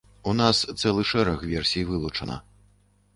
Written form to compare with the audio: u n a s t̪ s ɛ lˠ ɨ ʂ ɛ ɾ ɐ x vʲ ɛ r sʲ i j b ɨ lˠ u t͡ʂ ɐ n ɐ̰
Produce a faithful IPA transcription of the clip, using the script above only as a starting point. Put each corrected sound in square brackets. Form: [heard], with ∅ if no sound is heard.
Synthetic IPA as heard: u n a s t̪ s ɛ lˠ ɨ ʂ ɛ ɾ ɐ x vʲ ɛ r sʲ i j [v] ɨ lˠ u t͡ʂ ɐ n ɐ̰

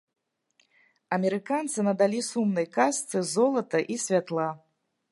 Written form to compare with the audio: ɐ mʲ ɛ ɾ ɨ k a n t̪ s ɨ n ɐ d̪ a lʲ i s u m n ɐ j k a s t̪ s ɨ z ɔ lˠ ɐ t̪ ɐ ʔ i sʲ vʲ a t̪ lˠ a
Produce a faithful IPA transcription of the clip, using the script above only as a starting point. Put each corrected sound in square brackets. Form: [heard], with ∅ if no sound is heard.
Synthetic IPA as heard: ɐ mʲ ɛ ɾ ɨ k a n t̪ s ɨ n ɐ d̪ a lʲ i s u m n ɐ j k a s t̪ s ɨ z ɔ lˠ ɐ t̪ ɐ ʔ i sʲ vʲ a t̪ lˠ a

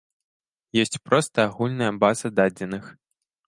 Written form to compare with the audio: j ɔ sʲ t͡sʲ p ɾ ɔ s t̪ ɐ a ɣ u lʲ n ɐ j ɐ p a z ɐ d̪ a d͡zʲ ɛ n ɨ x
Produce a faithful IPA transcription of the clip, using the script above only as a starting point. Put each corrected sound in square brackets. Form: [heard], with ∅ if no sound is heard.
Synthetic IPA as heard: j ɔ sʲ t͡sʲ p ɾ ɔ s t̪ ɐ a ɣ u lʲ n ɐ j ɐ [b] a z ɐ d̪ a d͡zʲ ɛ n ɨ x

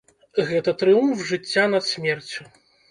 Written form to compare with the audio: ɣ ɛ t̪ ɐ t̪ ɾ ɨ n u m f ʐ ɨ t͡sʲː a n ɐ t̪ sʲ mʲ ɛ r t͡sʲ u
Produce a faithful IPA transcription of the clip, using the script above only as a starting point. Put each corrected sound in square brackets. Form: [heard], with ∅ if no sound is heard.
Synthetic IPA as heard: ɣ ɛ t̪ ɐ t̪ ɾ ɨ [∅] u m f ʐ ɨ t͡sʲː a n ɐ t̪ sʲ mʲ ɛ r t͡sʲ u

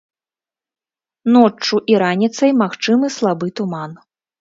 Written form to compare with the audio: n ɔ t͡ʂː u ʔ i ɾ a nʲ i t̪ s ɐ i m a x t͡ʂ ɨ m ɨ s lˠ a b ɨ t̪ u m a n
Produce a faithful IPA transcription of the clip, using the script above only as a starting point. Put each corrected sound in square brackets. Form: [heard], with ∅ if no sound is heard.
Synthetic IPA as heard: n ɔ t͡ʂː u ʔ i ɾ a nʲ i t̪ s ɐ [j] m a x t͡ʂ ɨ m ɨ s lˠ a b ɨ t̪ u m a n

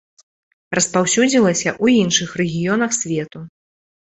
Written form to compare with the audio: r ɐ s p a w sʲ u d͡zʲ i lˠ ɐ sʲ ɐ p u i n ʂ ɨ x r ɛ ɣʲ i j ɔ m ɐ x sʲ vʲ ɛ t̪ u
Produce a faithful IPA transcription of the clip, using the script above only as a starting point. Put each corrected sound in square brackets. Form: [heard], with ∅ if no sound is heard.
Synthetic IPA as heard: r ɐ s p a w sʲ u d͡zʲ i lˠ ɐ sʲ ɐ [ʔ] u i n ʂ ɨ x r ɛ ɣʲ i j ɔ [n] ɐ x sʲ vʲ ɛ t̪ u

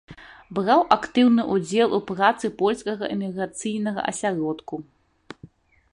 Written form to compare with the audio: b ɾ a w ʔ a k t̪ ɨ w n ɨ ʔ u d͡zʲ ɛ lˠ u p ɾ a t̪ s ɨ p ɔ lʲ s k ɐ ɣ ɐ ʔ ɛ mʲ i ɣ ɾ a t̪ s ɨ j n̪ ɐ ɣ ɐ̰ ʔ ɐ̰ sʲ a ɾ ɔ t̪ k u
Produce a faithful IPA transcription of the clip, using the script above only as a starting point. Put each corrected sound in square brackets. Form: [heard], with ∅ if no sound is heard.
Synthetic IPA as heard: b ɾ a w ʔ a k t̪ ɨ w n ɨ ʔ u d͡zʲ ɛ lˠ u p ɾ a t̪ s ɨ p ɔ lʲ s k ɐ ɣ ɐ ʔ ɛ mʲ i ɣ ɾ a t̪ s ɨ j n̪ ɐ ɣ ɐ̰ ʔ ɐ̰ sʲ a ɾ ɔ t̪ k u

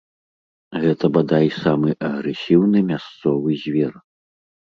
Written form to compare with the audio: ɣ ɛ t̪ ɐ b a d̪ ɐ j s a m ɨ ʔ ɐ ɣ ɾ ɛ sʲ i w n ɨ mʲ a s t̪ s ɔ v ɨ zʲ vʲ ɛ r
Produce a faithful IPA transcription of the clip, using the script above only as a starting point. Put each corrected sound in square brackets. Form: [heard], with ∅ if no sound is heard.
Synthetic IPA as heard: ɣ ɛ t̪ ɐ b a d̪ [a] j s a m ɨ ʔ ɐ ɣ ɾ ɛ sʲ i w n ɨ mʲ a s t̪ s ɔ v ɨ zʲ vʲ ɛ r

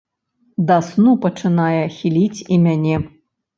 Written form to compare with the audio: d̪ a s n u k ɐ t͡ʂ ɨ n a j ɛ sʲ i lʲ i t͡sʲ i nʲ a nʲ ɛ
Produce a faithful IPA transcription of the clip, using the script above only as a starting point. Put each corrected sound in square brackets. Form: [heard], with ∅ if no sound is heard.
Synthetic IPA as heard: d̪ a s n u [p] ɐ t͡ʂ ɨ n a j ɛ [xʲ] i lʲ i t͡sʲ i [mʲ] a nʲ ɛ

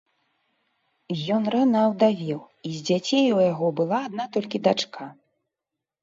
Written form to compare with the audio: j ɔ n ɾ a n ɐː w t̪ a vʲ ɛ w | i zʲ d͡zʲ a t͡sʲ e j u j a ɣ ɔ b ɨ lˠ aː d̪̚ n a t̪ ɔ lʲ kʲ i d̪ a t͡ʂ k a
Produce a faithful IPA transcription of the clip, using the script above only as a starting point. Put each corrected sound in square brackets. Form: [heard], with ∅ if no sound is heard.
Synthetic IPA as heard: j ɔ n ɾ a n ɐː w [d̪] a vʲ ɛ w | i zʲ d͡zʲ a t͡sʲ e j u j a ɣ ɔ b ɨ lˠ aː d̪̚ n a t̪ ɔ lʲ kʲ i d̪ a t͡ʂ k a

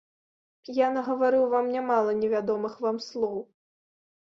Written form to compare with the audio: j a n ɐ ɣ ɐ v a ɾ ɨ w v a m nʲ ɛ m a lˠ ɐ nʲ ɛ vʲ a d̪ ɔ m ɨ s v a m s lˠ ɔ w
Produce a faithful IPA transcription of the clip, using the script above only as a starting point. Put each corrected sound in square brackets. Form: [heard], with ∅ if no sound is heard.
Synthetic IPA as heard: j a n ɐ ɣ ɐ v a ɾ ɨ w v a m nʲ [a] m a lˠ ɐ nʲ ɛ vʲ a d̪ ɔ m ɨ [x] v a m s lˠ ɔ w

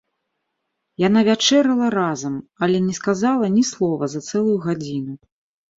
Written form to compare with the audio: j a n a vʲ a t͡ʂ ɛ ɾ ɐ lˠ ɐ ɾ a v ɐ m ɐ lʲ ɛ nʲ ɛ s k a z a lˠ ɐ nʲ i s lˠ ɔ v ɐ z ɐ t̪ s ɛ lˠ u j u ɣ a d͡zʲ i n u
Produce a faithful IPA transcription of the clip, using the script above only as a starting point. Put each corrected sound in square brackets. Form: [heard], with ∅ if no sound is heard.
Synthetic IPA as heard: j a n a vʲ a t͡ʂ ɛ ɾ ɐ lˠ ɐ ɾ a [z] ɐ m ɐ lʲ ɛ nʲ ɛ s k a z a lˠ ɐ nʲ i s lˠ ɔ v ɐ z ɐ t̪ s ɛ lˠ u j u ɣ a d͡zʲ i n u

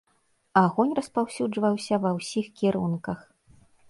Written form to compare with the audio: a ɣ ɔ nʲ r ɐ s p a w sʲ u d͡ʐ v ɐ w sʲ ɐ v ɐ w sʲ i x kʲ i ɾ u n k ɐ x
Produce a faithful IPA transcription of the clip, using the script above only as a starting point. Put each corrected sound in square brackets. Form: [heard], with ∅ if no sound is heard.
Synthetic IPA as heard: a ɣ ɔ nʲ r ɐ s p a w sʲ u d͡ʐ v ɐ w sʲ ɐ v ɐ w sʲ i x kʲ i ɾ u n k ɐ x

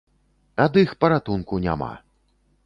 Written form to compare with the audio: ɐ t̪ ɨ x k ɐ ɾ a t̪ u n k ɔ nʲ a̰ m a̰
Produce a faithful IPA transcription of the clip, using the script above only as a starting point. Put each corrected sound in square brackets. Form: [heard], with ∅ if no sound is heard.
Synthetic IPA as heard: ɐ [d̪] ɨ x [p] ɐ ɾ a t̪ u n k [u] nʲ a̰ m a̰

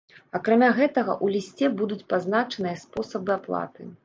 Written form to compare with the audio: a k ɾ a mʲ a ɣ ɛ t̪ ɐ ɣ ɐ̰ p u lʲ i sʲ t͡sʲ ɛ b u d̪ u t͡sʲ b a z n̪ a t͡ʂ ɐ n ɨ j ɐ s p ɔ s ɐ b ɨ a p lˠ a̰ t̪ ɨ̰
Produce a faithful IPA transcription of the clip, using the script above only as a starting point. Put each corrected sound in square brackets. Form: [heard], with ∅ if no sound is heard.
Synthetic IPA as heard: a k ɾ a mʲ a ɣ ɛ t̪ ɐ ɣ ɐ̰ [ʔ] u lʲ i sʲ t͡sʲ ɛ b u d̪ u t͡sʲ [p] a z n̪ a t͡ʂ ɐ n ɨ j ɐ s p ɔ s ɐ b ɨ a p lˠ a̰ t̪ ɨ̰

